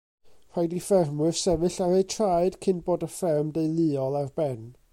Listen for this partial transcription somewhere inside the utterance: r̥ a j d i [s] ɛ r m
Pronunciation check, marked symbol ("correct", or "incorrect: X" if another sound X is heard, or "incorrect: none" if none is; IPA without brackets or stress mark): incorrect: f